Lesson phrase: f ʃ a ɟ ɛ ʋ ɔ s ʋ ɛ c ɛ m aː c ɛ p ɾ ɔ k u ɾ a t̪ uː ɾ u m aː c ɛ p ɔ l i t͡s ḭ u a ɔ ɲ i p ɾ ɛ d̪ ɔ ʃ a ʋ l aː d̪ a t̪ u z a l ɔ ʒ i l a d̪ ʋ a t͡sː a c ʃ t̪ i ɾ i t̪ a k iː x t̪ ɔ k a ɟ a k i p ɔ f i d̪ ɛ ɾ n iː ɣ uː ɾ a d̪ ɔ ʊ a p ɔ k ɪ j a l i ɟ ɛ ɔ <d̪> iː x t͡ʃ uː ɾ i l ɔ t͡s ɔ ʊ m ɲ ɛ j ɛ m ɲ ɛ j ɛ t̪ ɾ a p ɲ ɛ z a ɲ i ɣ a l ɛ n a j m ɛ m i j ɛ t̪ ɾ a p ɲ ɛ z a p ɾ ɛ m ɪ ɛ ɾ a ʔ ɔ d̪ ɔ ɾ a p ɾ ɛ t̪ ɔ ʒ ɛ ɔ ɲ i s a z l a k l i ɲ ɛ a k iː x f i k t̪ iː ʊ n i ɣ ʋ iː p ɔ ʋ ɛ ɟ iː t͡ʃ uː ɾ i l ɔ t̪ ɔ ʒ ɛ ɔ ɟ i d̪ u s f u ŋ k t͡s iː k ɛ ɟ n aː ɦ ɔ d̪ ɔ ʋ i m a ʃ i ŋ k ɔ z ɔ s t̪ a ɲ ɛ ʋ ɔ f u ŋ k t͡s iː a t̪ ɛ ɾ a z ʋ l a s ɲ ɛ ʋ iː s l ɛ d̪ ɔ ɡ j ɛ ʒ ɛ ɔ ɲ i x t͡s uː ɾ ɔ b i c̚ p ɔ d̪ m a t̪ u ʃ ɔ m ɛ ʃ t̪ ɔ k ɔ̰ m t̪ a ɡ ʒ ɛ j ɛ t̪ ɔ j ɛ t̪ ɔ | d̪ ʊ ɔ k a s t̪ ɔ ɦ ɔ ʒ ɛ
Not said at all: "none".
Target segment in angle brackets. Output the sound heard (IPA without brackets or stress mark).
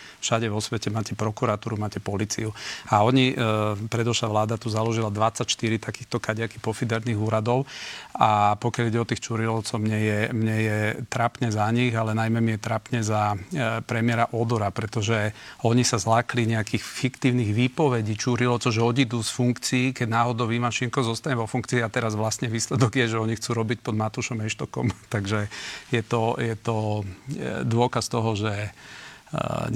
t̪